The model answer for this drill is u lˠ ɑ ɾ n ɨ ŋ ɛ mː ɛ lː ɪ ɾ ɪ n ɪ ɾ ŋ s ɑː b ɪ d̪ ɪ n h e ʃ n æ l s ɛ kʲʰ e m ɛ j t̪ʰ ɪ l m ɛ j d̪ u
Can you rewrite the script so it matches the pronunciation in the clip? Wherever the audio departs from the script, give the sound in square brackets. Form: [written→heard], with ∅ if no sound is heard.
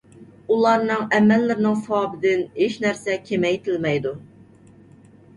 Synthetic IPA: u lˠ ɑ ɾ n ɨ ŋ ɛ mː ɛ lː ɪ ɾ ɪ n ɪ [ɾ→∅] ŋ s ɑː b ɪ d̪ ɪ n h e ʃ n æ [l→ɾ] s ɛ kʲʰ e m ɛ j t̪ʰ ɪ l m ɛ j d̪ u